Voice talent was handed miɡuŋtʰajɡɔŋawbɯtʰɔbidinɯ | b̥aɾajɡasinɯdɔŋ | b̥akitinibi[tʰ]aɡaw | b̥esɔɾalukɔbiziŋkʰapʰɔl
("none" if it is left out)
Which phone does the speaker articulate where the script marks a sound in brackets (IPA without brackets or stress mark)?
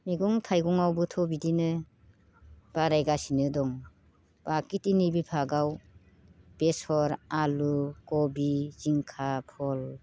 pʰ